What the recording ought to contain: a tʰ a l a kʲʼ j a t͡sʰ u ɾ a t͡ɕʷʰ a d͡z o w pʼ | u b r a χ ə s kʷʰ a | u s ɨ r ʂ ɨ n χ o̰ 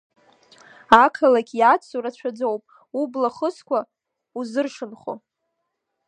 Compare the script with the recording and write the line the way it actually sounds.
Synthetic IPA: a kʰ a l a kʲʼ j a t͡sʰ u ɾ a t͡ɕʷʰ a d͡z o w pʼ | u b l a χ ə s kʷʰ a | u z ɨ r ʂ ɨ n χ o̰